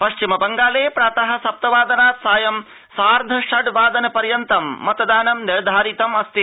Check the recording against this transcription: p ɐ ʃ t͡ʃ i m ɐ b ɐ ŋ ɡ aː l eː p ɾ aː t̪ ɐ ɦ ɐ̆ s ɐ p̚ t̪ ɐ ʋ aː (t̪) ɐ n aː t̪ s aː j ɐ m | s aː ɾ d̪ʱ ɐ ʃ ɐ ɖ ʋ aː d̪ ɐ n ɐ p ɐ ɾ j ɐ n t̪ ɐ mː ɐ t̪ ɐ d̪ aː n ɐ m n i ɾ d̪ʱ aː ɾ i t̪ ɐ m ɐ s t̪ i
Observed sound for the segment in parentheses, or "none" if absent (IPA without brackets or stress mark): d̪